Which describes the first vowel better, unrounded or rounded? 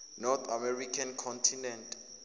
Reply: rounded